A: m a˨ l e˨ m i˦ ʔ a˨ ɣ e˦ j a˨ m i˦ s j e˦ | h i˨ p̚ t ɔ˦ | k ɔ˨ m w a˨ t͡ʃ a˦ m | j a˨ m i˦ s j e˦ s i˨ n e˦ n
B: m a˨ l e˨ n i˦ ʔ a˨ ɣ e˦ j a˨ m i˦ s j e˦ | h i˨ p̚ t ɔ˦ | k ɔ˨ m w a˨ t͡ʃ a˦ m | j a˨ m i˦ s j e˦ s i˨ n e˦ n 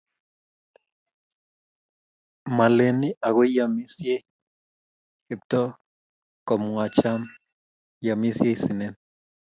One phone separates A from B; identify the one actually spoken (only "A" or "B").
B